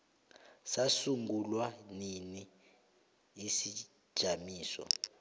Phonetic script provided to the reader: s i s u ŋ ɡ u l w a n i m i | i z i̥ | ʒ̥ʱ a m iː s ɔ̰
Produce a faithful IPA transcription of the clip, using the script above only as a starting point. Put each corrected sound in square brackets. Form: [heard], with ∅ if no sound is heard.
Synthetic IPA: s [a] s u ŋ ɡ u l w a n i [n] i | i [s] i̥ | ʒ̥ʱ a m iː s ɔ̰